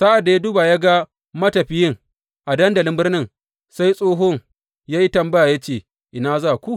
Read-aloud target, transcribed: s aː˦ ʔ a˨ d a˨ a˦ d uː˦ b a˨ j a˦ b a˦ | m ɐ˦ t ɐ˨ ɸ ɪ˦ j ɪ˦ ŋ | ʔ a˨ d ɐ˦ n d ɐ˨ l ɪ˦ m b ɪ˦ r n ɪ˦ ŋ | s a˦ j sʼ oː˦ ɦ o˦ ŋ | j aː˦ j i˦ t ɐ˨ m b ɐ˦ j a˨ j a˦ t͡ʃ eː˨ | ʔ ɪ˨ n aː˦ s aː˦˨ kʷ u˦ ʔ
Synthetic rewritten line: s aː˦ ʔ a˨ d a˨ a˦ d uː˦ b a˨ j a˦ ɡ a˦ | m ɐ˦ t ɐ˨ ɸ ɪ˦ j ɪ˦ ŋ | ʔ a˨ d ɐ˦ n d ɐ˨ l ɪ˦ m b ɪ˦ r n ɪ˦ ŋ | s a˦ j sʼ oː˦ ɦ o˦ ŋ | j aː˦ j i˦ t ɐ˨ m b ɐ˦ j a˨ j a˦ t͡ʃ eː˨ | ʔ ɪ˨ n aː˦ z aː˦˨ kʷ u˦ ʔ